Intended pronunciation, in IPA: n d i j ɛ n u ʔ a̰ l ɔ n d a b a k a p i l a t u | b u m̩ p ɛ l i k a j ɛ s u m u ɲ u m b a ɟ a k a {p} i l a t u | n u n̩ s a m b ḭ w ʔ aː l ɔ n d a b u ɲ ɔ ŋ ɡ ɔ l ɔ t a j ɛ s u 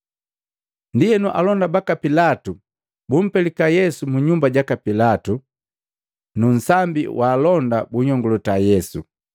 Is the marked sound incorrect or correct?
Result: correct